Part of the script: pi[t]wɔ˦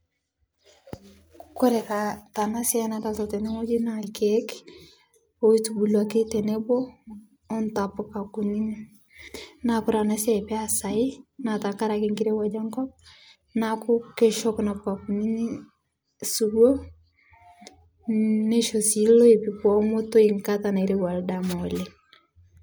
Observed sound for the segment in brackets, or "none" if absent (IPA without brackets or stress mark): k